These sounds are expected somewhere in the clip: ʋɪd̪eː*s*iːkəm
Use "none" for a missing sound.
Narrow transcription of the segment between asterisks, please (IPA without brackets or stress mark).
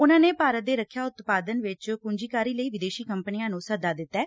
ʃ